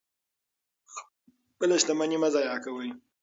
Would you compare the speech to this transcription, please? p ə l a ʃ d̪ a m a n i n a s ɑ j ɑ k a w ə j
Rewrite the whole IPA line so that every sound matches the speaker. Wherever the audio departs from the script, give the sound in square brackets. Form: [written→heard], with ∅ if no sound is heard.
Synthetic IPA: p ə l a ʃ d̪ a m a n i [n→m] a [s→z] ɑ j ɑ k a w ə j